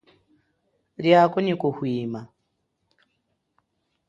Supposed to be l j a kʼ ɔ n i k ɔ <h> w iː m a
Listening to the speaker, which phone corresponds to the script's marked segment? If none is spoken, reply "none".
h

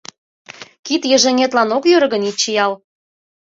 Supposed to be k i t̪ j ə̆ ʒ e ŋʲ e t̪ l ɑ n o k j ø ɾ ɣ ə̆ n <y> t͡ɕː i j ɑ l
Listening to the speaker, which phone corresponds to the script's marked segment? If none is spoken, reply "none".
i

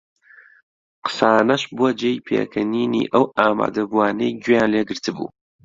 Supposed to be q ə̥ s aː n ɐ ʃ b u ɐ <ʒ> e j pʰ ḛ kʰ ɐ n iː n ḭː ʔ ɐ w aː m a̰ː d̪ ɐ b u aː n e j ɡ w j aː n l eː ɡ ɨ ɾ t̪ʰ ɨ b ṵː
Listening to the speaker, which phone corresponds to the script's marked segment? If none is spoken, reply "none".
d͡ʒ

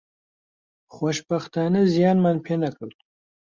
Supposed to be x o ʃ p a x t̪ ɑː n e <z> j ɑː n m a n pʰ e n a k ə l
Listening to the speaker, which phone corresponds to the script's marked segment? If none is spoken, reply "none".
z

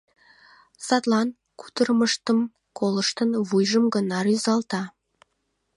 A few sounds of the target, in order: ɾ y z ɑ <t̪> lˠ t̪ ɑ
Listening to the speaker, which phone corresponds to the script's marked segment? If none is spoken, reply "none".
none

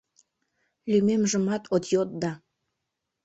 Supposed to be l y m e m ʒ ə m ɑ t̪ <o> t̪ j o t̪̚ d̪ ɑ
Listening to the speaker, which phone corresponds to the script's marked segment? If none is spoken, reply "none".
o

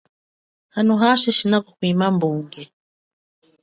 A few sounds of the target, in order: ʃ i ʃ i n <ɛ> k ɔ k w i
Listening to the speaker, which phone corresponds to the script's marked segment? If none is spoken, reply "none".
a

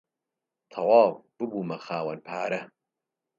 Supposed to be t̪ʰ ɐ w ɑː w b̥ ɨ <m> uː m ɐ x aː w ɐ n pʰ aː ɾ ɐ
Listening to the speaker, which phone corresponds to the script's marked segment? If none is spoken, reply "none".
b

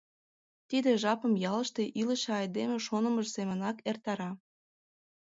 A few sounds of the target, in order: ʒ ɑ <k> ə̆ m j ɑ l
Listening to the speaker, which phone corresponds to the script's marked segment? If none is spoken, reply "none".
p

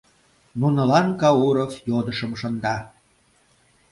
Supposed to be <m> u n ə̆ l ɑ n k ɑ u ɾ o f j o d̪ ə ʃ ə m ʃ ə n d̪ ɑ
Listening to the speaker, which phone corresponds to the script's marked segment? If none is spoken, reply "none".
n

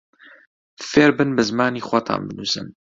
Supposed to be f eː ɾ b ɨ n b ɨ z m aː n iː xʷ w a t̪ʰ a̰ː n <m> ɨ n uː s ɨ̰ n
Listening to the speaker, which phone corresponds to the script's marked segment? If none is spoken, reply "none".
b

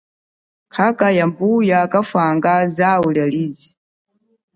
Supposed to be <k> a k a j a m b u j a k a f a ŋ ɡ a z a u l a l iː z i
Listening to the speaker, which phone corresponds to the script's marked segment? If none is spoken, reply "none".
kʰ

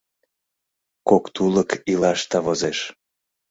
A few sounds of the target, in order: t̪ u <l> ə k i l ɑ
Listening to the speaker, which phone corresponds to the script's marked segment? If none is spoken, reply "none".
l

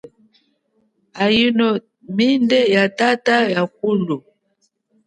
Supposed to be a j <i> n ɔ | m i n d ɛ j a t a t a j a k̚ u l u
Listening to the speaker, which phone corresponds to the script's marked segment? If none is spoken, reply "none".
i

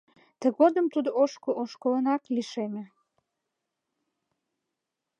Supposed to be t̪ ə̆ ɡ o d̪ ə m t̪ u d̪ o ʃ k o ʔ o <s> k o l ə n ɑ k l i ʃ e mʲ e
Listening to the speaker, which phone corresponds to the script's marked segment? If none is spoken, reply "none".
ʃ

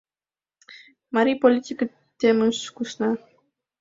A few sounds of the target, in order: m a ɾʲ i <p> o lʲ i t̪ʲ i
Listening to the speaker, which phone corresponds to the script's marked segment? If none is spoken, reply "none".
p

